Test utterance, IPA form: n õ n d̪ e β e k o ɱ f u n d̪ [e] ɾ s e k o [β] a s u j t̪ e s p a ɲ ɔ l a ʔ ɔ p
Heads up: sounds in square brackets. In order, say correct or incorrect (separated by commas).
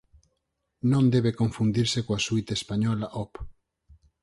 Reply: incorrect, incorrect